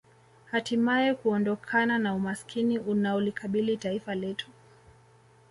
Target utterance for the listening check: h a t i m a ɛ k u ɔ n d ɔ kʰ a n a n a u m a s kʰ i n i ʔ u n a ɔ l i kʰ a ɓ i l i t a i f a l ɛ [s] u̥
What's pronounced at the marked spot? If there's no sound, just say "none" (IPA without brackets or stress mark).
t